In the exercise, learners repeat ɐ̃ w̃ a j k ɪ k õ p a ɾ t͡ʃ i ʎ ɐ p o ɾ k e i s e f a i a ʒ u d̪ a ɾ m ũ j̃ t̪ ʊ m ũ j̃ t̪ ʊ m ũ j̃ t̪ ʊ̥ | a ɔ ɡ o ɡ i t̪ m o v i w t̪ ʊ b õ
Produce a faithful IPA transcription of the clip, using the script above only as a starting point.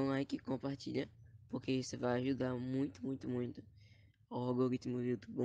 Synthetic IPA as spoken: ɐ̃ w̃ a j k ɪ k õ p a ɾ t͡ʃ i ʎ ɐ p o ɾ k e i s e v a j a ʒ u d̪ a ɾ m ũ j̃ t̪ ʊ m ũ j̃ t̪ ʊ m ũ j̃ t̪ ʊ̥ | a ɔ ɡ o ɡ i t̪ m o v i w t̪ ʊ b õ

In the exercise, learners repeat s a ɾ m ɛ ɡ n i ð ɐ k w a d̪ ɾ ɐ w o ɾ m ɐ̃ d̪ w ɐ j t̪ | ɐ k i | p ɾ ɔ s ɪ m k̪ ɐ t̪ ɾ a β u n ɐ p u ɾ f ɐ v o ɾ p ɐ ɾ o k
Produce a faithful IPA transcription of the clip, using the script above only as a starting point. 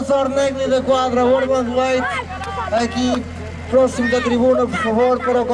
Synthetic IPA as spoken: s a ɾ n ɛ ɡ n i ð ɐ k w a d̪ ɾ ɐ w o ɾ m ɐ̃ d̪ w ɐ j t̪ | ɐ k i | p ɾ ɔ s i m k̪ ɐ t̪ ɾ i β u n ɐ p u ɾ f ɐ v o ɾ p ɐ ɾ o k

